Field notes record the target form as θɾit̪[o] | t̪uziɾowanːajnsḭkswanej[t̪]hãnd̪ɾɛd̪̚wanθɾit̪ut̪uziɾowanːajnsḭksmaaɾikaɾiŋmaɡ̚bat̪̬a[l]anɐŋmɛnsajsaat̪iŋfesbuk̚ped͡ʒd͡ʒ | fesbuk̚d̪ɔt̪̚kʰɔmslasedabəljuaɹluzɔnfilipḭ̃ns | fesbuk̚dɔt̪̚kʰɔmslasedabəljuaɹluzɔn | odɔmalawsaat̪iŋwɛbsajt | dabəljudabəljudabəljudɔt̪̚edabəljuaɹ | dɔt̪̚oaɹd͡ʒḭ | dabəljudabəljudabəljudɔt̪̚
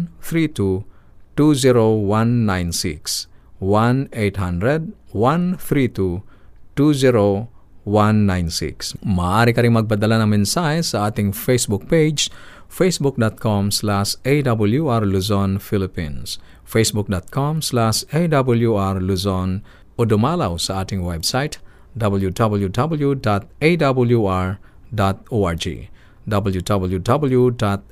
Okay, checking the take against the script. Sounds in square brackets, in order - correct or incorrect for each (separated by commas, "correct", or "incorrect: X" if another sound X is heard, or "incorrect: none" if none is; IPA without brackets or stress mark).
incorrect: u, correct, correct